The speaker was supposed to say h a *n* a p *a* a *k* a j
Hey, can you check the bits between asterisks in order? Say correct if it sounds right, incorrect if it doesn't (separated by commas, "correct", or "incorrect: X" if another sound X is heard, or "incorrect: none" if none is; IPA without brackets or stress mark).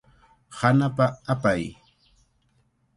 correct, correct, incorrect: p